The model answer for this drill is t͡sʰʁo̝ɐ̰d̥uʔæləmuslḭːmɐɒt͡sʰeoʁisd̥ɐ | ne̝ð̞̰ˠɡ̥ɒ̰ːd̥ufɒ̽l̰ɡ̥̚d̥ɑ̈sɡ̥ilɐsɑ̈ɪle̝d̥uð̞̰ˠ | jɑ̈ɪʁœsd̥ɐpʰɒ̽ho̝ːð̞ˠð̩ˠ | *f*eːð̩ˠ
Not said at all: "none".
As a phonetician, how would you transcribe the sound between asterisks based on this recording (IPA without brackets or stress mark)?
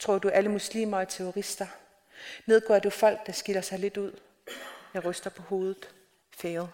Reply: f